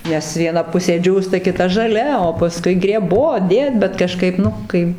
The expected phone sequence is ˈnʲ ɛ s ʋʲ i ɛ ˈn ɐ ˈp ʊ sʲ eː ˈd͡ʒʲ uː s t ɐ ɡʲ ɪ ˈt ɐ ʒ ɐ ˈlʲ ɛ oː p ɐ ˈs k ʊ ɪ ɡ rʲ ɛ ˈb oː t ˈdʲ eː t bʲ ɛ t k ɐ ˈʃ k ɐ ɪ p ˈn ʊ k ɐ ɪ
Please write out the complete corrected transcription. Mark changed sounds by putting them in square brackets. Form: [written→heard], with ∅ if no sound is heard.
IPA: ˈnʲ ɛ s ʋʲ i ɛ ˈn ɐ ˈp ʊ sʲ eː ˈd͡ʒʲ uː s t ɐ [ɡʲ→kʲ] ɪ ˈt ɐ ʒ ɐ ˈlʲ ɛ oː p ɐ ˈs k ʊ ɪ ɡ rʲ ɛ ˈb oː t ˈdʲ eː t bʲ ɛ t k ɐ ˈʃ k ɐ ɪ p ˈn ʊ k ɐ ɪ